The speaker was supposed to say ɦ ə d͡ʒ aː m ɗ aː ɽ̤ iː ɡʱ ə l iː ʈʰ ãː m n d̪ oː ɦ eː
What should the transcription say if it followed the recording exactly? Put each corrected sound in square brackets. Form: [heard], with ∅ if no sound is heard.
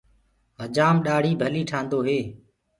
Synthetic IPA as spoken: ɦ ə d͡ʒ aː m ɗ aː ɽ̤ iː [bʱ] ə l iː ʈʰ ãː [∅] n d̪ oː ɦ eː